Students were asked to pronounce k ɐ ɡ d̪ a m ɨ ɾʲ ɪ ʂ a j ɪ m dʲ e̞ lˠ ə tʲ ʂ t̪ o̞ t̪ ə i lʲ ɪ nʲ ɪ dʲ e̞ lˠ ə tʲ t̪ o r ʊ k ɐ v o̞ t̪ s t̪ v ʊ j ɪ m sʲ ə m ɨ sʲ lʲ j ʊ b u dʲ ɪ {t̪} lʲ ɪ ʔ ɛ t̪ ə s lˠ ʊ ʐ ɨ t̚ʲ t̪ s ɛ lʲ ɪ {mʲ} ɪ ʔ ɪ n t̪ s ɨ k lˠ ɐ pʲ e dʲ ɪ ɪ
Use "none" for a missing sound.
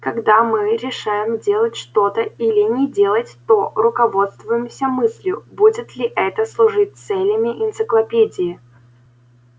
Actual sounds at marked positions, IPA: t̪, mʲ

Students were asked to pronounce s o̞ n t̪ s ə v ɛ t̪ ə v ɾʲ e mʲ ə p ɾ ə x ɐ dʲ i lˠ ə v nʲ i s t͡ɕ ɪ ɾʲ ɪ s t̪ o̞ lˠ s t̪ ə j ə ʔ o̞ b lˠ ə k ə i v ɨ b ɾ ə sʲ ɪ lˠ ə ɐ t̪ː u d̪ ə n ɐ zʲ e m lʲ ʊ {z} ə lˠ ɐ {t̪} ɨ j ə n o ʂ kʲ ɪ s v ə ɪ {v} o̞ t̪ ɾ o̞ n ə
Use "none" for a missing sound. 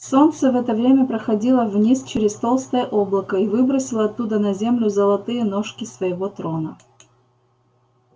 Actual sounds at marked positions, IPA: z, t̪, v

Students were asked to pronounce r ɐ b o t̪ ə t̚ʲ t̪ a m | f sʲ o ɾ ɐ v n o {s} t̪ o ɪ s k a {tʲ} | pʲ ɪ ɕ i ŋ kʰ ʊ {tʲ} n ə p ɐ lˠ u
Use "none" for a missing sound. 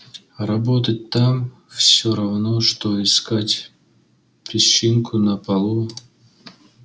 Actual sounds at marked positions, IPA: ʂ, tʲ, none

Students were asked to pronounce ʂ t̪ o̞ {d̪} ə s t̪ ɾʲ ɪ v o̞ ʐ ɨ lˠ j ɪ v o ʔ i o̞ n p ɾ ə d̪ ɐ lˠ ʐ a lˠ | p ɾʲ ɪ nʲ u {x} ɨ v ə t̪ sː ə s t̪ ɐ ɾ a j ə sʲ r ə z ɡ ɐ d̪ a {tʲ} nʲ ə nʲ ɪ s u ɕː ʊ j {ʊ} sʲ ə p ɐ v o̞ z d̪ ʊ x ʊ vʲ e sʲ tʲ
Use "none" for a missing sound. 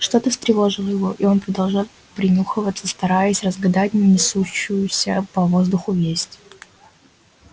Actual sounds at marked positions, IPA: t̪, x, tʲ, ʊ

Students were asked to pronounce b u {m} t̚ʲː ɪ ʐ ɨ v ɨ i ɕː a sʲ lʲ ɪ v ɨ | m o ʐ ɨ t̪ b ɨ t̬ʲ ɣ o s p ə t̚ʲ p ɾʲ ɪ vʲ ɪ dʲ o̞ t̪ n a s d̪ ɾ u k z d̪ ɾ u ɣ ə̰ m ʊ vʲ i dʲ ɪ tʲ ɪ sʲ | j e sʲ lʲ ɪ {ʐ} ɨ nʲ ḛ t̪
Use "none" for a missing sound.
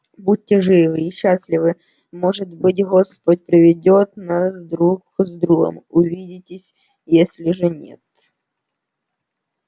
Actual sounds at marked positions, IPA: none, ʐ

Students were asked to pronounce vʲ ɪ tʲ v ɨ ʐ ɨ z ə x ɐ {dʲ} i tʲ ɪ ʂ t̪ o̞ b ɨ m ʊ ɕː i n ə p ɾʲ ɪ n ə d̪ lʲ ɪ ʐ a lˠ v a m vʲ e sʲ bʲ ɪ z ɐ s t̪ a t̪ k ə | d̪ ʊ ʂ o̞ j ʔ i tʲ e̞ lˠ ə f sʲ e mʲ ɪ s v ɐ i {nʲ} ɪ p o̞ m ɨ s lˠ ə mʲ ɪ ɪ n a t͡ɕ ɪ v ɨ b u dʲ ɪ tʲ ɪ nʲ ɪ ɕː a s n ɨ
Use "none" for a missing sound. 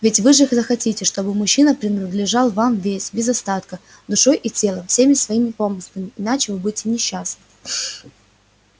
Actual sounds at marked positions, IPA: tʲ, mʲ

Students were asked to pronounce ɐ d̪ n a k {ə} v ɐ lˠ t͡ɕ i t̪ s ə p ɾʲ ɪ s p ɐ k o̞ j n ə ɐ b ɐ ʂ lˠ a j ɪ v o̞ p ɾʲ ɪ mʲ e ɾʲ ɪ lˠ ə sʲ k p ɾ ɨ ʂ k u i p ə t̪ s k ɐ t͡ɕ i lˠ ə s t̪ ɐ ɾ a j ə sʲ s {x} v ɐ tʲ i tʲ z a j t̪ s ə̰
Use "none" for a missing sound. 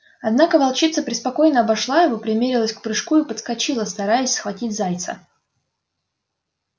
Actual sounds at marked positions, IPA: ə, x

